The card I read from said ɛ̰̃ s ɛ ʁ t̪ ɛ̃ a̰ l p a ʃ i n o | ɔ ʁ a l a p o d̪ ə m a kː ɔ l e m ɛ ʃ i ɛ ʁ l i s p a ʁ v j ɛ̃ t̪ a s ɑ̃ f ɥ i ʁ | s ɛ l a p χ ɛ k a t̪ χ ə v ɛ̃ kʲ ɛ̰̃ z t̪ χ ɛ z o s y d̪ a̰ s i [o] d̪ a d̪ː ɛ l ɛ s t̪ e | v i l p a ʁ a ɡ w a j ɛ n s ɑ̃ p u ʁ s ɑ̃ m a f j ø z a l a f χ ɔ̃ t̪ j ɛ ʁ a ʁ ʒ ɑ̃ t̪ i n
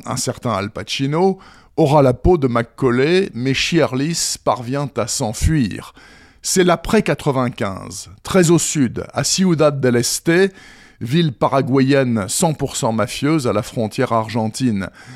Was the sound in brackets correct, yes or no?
no